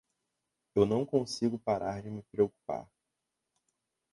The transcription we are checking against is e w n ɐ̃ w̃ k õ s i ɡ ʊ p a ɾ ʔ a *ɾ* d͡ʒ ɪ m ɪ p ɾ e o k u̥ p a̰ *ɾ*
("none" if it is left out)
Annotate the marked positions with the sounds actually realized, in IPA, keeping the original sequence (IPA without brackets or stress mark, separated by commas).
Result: ɾ, ɾ